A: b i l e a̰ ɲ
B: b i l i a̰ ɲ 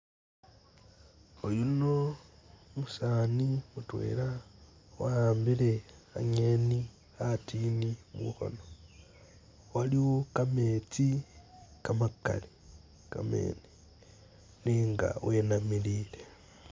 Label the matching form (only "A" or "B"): A